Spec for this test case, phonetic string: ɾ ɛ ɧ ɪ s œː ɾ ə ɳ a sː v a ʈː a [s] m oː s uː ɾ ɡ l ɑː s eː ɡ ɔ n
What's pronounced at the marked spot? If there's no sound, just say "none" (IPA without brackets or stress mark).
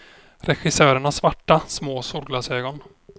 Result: s